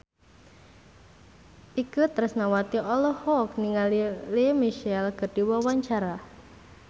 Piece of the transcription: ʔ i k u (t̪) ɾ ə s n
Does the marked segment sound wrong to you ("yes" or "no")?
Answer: no